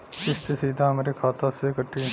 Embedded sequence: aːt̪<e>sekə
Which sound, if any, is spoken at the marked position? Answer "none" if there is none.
a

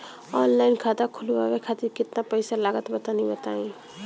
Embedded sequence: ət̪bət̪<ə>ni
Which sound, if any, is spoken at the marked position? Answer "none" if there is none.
a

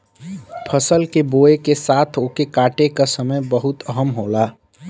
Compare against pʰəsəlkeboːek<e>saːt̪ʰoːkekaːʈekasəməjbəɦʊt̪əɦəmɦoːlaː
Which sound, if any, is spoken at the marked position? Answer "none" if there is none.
e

